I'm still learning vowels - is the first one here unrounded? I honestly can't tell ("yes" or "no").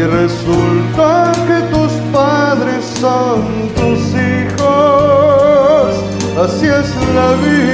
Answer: yes